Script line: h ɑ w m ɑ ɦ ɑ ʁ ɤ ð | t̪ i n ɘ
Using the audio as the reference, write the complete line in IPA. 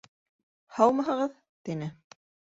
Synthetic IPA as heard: h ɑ w m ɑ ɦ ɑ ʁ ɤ ð | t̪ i n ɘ